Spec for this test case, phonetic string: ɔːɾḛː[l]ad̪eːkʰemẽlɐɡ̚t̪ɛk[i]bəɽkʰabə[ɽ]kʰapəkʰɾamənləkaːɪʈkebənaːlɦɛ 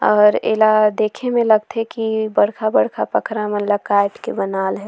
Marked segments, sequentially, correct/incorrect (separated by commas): correct, correct, correct